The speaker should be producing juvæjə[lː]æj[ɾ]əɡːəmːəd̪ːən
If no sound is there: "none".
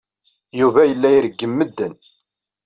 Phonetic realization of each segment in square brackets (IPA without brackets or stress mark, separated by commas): lː, ɾ